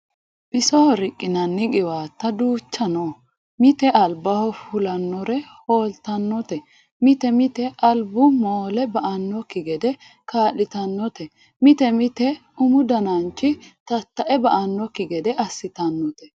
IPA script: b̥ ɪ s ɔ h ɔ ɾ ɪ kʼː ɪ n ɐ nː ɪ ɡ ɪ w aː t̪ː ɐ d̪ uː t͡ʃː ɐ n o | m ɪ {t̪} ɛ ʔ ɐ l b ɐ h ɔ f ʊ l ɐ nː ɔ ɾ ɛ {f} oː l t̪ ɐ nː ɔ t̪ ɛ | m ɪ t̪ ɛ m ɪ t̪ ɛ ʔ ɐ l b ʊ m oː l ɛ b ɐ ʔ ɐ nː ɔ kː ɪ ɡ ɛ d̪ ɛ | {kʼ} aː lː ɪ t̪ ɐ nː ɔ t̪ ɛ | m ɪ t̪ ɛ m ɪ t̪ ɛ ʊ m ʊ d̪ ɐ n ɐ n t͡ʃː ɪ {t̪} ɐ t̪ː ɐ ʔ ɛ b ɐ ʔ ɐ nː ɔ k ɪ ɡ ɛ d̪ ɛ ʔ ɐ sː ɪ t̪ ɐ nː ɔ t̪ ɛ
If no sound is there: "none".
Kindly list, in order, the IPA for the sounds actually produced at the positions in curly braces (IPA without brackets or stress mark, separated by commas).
t̪, h, k, t̪